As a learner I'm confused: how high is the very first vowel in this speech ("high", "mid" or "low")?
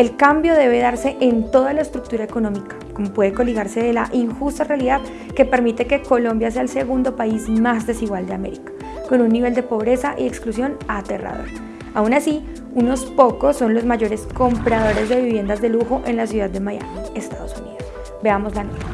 mid